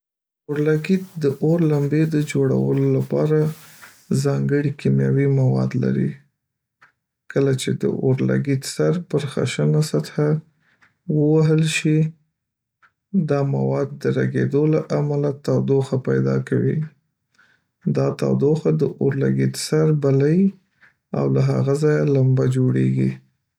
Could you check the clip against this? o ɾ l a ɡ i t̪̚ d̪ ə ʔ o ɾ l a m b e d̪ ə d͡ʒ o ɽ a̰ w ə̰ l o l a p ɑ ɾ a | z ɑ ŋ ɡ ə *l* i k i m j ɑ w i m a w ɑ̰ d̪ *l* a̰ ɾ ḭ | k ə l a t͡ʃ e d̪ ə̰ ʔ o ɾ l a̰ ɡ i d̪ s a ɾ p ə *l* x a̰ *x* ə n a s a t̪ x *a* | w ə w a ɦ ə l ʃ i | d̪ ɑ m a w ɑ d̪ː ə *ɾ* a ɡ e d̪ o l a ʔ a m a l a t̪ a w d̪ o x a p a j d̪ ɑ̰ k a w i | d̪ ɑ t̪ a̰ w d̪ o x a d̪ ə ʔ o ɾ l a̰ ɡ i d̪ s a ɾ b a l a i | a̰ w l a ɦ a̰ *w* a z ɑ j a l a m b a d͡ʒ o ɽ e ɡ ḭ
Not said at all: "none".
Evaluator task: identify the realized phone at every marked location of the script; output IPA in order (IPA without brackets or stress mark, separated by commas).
ɽ, l, ɾ, ʃ, a, ɾ, ɣ